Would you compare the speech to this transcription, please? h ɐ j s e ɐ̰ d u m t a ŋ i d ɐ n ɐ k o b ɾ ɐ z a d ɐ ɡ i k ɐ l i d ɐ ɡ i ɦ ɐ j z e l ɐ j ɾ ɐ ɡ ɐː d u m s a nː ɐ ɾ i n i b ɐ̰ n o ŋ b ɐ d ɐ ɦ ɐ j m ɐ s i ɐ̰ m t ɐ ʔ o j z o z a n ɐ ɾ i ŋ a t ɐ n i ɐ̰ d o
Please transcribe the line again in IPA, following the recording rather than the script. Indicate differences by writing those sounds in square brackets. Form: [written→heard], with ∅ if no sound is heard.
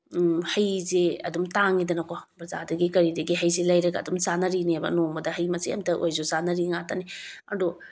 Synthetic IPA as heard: h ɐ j [s→z] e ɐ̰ d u m t a ŋ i d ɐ n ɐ k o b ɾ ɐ z a d ɐ ɡ i k ɐ [l→ɾ] i d ɐ ɡ i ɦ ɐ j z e l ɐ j ɾ ɐ ɡ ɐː d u m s a [nː→n] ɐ ɾ i n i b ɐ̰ n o ŋ b ɐ d ɐ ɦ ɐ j m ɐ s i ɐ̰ m t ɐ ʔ o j z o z a n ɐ ɾ i ŋ a t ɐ n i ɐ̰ d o